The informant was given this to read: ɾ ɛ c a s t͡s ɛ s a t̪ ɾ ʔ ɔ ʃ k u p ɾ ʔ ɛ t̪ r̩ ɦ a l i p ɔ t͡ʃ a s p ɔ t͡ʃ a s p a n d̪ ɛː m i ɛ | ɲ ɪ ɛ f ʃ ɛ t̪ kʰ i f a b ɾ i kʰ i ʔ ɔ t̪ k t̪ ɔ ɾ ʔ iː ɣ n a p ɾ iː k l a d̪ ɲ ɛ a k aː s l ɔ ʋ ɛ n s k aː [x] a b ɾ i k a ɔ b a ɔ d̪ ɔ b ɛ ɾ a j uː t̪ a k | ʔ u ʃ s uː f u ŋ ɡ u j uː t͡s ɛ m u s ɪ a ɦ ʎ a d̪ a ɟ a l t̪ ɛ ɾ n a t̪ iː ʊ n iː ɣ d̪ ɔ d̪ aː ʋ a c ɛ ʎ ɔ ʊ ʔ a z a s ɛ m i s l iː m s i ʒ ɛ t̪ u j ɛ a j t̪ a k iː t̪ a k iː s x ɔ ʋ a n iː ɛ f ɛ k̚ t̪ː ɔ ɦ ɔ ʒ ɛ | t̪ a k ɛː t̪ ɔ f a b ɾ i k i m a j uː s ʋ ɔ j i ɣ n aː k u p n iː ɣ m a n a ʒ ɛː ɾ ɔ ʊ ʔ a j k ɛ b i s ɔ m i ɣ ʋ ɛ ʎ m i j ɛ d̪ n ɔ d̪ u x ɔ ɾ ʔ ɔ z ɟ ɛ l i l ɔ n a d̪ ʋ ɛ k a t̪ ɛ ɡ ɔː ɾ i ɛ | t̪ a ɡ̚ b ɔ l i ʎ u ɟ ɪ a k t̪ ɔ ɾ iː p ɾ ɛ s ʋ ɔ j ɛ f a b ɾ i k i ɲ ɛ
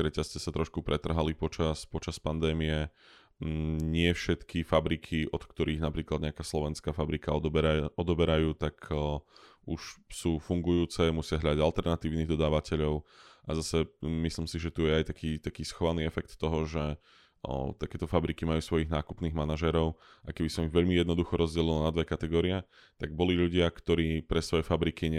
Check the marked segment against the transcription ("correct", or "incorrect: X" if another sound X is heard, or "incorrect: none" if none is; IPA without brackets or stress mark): incorrect: f